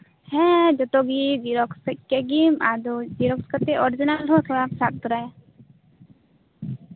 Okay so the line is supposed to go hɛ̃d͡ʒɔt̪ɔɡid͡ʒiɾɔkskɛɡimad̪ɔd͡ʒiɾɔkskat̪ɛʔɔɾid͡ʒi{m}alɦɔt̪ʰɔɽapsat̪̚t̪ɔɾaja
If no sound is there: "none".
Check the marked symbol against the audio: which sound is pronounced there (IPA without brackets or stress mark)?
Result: n